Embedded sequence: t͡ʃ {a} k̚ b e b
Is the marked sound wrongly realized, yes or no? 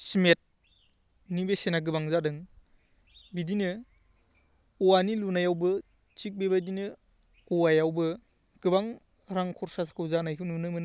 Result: yes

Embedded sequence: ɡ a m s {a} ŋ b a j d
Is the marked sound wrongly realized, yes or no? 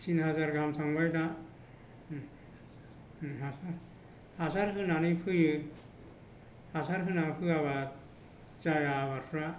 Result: no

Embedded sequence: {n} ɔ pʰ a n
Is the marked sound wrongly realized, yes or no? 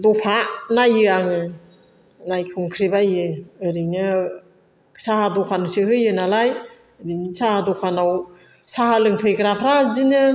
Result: yes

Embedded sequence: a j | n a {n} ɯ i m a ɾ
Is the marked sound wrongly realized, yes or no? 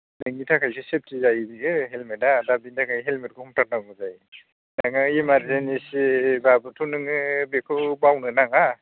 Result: yes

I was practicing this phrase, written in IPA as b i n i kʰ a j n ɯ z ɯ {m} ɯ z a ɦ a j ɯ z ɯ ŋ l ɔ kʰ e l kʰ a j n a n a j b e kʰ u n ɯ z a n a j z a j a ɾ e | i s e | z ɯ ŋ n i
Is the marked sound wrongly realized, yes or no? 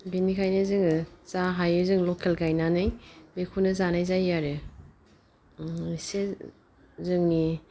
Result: yes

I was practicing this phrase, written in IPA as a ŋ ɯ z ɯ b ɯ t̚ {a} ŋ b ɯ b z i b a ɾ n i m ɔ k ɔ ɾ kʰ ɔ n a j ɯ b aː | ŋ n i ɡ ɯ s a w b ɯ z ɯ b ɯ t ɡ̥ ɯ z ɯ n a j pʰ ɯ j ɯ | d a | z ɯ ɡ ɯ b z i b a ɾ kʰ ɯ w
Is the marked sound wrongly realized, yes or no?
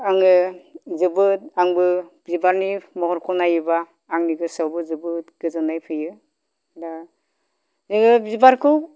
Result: no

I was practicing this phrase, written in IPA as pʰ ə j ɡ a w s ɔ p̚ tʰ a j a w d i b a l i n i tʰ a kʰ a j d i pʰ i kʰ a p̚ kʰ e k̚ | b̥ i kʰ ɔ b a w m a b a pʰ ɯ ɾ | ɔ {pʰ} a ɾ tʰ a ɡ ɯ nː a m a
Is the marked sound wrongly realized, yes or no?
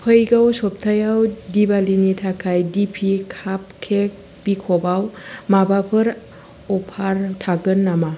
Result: no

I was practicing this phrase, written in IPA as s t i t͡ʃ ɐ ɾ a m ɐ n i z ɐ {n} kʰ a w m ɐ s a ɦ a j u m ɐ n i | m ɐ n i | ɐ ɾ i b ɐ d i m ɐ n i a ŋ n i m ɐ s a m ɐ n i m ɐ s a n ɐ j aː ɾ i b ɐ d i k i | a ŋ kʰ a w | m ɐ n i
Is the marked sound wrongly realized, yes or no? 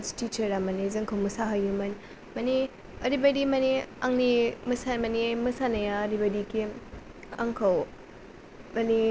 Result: yes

